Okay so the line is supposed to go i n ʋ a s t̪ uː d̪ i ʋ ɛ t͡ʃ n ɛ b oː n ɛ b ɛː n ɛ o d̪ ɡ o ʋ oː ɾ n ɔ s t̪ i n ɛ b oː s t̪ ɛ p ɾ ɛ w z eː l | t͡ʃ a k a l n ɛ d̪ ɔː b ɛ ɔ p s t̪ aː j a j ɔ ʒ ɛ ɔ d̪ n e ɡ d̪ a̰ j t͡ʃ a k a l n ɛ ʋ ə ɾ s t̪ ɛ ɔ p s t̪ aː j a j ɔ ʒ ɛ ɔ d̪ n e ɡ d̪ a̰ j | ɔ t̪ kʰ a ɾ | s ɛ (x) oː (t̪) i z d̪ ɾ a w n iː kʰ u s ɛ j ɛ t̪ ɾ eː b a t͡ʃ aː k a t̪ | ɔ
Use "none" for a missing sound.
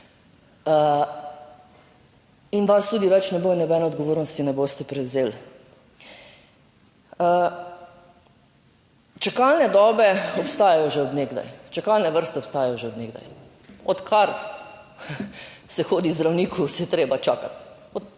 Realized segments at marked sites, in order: x, d̪

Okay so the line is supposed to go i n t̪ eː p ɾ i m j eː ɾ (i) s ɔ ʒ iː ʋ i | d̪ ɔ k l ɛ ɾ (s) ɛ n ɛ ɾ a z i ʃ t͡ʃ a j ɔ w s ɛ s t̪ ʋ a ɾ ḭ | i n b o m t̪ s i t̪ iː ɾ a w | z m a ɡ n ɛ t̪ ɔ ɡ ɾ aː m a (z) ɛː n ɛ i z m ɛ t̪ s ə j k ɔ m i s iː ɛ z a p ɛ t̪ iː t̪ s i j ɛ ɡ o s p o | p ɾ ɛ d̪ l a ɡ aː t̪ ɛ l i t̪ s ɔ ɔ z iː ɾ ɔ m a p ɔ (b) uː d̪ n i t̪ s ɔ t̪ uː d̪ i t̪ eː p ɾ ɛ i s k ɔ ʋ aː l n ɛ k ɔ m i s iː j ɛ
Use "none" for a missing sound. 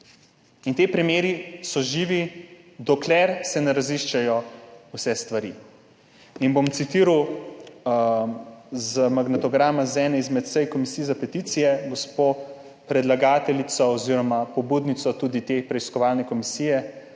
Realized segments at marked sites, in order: i, s, z, b

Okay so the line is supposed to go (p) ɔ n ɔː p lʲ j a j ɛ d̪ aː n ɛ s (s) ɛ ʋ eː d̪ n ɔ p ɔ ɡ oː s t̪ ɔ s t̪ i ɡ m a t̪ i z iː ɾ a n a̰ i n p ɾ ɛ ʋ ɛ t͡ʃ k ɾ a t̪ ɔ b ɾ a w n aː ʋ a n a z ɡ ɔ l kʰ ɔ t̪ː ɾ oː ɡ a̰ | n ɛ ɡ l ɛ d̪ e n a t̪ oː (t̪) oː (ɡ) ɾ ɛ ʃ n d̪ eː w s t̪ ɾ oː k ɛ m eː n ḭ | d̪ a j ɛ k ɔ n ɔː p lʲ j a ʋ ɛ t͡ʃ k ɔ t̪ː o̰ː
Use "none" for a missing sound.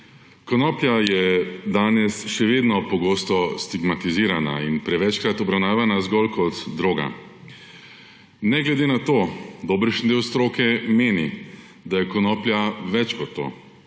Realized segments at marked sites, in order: k, ʃ, d̪, b

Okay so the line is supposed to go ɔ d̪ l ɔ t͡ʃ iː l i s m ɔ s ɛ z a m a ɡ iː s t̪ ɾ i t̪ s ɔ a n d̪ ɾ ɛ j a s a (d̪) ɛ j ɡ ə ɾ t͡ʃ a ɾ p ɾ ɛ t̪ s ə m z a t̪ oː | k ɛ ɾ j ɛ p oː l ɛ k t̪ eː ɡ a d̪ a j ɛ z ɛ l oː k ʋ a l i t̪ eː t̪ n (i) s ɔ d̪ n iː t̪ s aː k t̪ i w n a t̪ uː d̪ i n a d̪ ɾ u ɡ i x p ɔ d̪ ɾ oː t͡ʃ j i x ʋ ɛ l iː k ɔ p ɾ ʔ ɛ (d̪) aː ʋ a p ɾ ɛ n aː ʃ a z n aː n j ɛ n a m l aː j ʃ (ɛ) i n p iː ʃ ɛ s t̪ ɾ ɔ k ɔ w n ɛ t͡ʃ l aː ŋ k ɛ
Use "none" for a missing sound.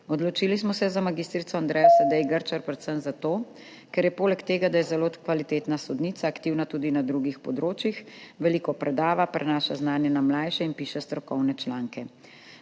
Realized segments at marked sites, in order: d̪, a, d̪, ɛ

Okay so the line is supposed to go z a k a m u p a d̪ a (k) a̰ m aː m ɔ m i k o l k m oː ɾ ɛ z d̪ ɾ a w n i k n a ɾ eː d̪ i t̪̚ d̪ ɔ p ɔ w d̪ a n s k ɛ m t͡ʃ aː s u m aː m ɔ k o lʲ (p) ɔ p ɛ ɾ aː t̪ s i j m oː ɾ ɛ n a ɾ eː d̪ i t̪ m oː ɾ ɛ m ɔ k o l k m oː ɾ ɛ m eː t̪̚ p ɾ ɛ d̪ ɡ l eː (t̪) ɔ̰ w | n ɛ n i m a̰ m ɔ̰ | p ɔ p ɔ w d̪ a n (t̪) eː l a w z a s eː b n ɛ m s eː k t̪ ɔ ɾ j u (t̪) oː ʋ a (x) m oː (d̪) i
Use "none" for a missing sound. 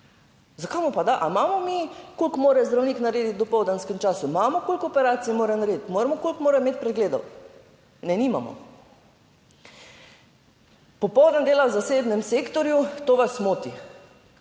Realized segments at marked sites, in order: ʔ, k, d̪, d̪, t̪, s, t̪

